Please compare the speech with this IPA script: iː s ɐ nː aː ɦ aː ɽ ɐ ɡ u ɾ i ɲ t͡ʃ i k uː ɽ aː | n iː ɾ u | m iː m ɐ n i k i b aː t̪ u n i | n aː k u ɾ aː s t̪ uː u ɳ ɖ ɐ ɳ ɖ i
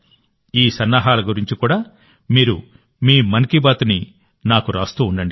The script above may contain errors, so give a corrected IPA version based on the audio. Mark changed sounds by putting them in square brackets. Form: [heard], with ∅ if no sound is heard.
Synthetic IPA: iː s ɐ nː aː ɦ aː [l] ɐ ɡ u ɾ i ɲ t͡ʃ i k uː ɽ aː | [m] iː ɾ u | m iː m ɐ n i k i b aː t̪ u n i | n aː k u ɾ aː s t̪ uː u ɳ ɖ ɐ ɳ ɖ i